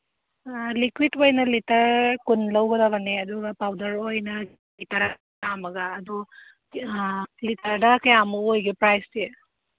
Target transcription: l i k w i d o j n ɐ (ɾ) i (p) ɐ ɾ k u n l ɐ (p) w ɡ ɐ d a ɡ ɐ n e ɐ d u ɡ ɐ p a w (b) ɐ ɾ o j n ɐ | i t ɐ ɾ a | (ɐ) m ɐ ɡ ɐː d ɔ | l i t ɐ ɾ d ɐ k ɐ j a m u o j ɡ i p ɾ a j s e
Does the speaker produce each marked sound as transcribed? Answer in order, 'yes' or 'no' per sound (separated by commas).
no, no, no, no, no